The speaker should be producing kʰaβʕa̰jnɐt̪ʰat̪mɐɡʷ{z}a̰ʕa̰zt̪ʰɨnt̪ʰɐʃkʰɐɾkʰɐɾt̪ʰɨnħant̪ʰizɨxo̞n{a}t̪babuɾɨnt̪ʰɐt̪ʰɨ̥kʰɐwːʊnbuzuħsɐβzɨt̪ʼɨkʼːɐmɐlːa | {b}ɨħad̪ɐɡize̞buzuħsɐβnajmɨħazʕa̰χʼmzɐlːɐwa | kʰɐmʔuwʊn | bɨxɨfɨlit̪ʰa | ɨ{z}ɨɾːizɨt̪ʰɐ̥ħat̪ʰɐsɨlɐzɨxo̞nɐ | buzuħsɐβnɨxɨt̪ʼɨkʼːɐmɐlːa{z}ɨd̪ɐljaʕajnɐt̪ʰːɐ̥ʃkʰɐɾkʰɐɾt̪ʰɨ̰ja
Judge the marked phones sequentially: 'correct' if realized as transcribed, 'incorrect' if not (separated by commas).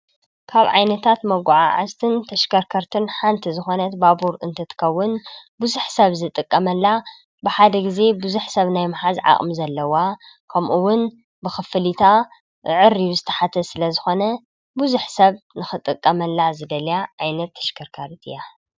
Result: incorrect, incorrect, correct, incorrect, correct